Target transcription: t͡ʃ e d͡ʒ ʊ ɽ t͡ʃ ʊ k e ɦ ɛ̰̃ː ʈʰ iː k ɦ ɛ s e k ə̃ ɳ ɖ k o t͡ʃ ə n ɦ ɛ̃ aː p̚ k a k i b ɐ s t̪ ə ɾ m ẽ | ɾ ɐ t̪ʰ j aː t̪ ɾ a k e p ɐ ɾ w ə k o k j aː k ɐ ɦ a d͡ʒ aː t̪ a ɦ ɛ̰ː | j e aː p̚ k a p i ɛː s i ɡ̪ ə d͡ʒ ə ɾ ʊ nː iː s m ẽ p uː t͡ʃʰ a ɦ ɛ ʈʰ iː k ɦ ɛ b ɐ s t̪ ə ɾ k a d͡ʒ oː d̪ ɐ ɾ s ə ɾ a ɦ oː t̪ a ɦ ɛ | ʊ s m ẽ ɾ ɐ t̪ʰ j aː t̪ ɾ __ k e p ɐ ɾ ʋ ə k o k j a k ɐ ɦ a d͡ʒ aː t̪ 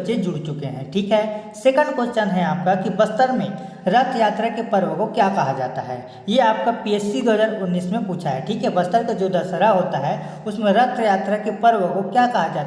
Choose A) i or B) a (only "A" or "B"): B